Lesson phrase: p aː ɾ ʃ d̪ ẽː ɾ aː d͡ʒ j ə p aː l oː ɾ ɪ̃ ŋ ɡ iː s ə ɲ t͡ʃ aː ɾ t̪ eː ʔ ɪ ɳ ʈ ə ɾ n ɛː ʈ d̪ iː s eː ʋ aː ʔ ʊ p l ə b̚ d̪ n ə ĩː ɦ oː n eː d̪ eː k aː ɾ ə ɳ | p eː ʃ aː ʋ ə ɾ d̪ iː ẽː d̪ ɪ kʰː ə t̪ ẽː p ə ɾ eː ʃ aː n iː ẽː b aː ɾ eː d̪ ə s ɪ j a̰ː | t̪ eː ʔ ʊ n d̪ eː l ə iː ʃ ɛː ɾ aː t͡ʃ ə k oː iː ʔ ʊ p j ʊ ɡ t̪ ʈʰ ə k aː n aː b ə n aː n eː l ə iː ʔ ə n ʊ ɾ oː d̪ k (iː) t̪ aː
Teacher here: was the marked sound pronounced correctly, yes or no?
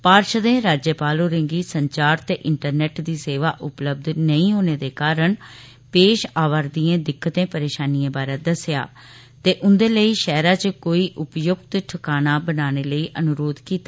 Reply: yes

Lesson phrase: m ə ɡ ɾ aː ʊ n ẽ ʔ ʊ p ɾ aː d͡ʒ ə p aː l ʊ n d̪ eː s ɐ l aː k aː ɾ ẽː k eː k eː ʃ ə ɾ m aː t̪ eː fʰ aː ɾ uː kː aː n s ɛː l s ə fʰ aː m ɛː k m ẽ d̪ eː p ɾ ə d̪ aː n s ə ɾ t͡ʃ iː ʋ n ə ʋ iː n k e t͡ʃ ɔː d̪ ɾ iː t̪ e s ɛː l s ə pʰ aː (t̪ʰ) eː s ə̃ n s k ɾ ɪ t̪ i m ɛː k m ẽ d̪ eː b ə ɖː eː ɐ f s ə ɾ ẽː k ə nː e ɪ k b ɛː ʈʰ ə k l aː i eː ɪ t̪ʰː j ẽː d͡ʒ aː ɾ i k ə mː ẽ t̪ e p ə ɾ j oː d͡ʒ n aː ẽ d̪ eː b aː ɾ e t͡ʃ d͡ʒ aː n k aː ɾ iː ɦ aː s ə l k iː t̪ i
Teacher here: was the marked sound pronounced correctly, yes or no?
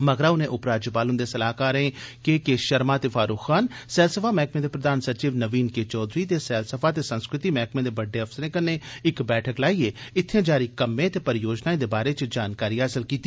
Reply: no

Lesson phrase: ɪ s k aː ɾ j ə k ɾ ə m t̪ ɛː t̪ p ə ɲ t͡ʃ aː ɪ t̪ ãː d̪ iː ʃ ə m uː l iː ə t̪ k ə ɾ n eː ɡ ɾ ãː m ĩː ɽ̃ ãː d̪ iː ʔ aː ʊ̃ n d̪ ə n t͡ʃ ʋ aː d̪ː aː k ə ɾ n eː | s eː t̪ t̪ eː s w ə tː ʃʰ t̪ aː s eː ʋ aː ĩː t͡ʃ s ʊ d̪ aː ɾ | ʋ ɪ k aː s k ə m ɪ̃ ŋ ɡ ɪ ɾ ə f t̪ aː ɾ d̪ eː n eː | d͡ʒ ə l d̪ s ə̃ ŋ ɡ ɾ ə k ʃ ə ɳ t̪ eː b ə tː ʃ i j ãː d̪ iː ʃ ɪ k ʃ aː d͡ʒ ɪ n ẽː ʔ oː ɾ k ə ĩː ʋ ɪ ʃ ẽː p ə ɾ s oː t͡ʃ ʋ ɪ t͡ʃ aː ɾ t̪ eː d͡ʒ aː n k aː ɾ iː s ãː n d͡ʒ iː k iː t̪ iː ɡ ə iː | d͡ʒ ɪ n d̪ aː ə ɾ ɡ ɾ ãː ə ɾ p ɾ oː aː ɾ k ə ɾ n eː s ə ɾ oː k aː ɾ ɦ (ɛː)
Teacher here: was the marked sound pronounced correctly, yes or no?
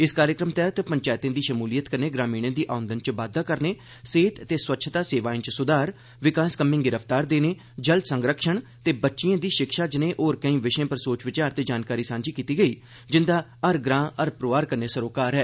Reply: yes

